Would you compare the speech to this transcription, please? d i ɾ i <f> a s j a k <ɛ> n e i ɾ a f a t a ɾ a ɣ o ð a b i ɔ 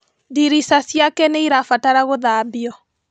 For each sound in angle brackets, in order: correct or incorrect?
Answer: incorrect, correct

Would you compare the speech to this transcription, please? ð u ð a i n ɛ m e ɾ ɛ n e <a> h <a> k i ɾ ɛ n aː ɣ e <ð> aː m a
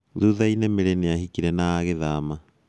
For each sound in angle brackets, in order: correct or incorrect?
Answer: correct, incorrect, correct

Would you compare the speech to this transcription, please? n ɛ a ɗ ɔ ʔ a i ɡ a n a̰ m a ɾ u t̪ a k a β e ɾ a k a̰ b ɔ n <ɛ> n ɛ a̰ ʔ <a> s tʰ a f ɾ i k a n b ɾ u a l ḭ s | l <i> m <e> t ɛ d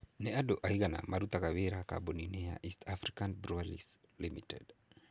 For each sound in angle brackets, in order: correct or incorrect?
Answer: incorrect, incorrect, correct, incorrect

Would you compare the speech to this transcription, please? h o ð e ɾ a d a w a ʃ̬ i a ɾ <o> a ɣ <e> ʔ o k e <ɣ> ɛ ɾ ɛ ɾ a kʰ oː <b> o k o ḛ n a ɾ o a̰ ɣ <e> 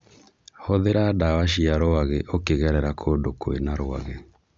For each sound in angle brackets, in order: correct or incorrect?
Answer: correct, correct, correct, incorrect, correct

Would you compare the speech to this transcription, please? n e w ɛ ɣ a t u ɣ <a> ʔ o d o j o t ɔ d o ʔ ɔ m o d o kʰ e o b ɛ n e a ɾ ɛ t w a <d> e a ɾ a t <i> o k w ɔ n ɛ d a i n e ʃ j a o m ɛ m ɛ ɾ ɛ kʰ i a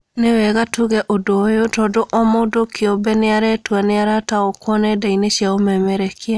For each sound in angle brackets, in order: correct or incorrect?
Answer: incorrect, incorrect, incorrect

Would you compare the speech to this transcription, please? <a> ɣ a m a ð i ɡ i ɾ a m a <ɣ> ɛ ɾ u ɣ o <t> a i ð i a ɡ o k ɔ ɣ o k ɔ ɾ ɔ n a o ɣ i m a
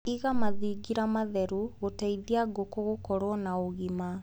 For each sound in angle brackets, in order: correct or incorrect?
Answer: incorrect, incorrect, correct

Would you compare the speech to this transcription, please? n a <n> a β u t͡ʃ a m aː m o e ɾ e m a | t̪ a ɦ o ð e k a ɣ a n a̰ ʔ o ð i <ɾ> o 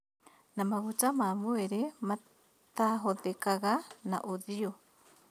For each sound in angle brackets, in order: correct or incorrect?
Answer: incorrect, incorrect

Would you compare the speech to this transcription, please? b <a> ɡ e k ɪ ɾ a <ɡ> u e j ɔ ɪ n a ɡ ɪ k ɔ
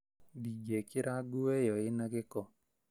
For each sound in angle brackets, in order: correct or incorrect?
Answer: incorrect, correct

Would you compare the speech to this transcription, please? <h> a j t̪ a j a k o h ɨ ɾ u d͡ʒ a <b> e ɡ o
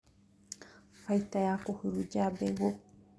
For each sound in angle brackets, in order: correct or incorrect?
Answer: incorrect, correct

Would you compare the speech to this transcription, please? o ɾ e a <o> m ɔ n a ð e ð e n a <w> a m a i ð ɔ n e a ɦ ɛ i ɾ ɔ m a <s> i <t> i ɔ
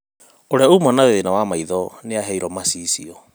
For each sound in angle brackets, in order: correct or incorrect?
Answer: incorrect, correct, correct, incorrect

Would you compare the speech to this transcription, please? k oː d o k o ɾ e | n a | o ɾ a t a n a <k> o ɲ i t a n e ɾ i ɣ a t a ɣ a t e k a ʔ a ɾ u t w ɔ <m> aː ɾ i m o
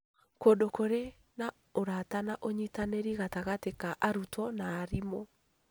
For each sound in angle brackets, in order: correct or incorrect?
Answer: incorrect, incorrect

